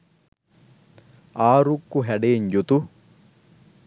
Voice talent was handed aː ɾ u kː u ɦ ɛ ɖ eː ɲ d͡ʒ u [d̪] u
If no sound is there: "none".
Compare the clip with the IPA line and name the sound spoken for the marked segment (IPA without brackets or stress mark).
t̪